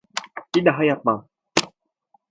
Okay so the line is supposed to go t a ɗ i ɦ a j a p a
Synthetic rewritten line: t i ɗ a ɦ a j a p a